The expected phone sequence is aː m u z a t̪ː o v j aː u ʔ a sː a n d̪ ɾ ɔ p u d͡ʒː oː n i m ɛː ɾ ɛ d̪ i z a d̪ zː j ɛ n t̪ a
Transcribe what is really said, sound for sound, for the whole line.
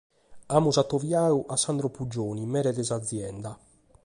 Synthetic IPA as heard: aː m u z a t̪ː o v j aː u ʔ a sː a n d̪ ɾ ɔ p u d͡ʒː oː n i m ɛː ɾ ɛ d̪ ɛ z a d̪ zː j ɛ n d̪ a

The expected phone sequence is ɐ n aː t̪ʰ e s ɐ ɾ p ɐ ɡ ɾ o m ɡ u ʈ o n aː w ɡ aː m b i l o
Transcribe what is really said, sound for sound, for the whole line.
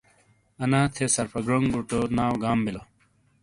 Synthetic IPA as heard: ɐ n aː t̪ʰ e s ɐ ɾ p ɐ ɡ ɾ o ŋ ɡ u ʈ o n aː w ɡ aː m b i l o

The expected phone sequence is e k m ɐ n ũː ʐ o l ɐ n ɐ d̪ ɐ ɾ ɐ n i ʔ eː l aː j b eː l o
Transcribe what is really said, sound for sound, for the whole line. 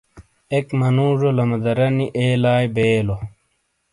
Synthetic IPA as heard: e k m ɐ n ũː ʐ o l ɐ m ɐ d̪ ɐ ɾ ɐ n i ʔ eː l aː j b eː l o

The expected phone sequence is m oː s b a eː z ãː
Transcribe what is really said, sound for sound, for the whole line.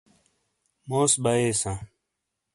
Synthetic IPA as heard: m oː s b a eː s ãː

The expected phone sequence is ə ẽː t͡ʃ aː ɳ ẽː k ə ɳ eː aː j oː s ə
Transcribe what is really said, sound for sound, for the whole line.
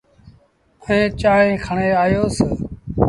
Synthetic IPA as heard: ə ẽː t͡ʃ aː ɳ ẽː kʰ ə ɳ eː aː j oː s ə

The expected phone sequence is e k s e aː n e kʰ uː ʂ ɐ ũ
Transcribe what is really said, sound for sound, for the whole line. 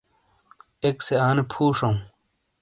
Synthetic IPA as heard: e k s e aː n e pʰ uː ʂ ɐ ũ

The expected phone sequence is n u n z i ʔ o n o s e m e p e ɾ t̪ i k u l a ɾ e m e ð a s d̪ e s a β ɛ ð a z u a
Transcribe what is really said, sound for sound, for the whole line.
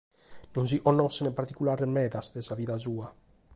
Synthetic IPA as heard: n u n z i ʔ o n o s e n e p a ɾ t̪ i k u l a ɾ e m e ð a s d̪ e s a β i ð a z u a

